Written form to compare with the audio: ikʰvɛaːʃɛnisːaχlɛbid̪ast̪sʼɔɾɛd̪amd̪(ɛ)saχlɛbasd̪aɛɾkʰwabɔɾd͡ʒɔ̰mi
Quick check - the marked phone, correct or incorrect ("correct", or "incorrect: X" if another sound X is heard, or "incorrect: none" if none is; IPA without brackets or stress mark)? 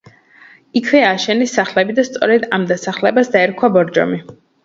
incorrect: a